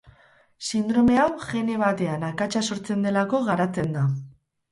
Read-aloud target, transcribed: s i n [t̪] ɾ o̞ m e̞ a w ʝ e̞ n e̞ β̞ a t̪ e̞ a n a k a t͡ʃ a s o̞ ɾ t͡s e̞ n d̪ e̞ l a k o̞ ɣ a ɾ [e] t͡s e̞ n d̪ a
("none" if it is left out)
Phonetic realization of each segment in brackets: d̪, a

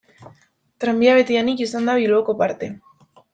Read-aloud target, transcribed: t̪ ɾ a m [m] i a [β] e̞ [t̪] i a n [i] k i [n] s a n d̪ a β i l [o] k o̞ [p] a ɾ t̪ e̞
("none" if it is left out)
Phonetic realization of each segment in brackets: b, β, t̪, i, none, o, p

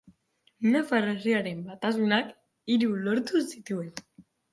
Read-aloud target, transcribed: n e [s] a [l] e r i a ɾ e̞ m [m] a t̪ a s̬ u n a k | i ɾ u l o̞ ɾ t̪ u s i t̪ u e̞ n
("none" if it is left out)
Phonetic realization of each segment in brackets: f, r, b

